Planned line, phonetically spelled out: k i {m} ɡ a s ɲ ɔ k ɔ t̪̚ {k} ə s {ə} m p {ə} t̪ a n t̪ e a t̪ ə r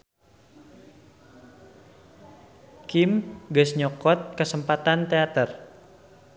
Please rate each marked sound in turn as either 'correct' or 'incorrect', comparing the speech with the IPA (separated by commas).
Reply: correct, correct, correct, incorrect